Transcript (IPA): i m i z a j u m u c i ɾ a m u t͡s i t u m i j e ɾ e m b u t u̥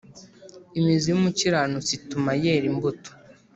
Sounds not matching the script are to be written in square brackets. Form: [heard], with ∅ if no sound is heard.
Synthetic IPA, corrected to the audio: i m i z [i] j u m u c i ɾ a [n] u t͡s i t u m [a] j e ɾ [i] m b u t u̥